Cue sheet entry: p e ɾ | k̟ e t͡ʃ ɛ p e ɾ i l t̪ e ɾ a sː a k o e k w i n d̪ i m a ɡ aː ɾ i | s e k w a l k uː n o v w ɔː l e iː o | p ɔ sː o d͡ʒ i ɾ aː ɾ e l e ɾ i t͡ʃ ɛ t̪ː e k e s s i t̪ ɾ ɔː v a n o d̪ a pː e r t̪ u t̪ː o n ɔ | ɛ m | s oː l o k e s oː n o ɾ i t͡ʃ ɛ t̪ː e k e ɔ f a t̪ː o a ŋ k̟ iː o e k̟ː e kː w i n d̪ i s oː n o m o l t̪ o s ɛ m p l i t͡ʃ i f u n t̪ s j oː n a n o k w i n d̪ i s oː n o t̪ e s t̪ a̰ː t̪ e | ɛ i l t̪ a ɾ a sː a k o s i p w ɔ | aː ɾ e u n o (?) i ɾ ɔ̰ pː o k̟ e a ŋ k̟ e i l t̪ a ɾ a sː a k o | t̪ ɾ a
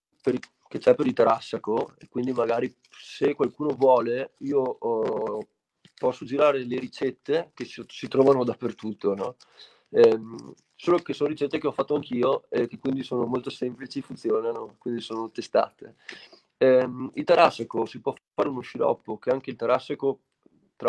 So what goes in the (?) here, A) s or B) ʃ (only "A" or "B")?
B